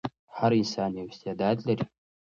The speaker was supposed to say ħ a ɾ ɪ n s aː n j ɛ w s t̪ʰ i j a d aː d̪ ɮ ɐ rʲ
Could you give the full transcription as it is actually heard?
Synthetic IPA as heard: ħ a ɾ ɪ n s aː n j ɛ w s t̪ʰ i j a d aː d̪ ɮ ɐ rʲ